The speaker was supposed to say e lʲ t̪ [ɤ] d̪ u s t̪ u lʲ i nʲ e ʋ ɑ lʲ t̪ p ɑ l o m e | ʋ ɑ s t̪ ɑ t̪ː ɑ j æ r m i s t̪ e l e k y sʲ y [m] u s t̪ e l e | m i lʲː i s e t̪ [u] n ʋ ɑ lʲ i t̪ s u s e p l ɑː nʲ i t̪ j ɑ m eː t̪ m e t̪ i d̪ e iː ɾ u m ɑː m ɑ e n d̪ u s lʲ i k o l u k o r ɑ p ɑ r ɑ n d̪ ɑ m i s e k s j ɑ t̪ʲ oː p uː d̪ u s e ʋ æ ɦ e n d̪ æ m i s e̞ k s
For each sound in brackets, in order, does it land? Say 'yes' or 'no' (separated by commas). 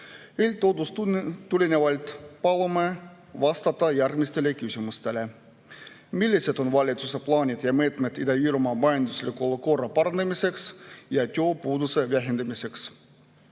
no, yes, no